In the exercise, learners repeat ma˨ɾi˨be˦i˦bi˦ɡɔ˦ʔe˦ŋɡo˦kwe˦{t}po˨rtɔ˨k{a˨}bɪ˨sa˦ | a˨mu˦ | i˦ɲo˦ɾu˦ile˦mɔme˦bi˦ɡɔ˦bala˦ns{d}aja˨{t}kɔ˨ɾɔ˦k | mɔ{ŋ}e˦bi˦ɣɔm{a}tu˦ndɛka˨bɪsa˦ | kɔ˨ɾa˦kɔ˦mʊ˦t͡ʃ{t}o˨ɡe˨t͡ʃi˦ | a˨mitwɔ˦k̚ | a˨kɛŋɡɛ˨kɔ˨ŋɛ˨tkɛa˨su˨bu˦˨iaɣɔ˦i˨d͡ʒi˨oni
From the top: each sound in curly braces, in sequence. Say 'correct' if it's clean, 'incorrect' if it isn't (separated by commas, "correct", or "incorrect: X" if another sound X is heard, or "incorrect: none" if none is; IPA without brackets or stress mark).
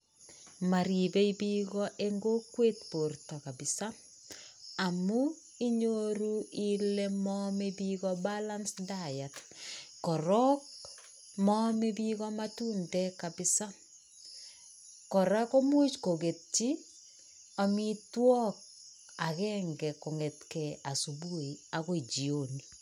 correct, correct, correct, correct, incorrect: m, correct, incorrect: k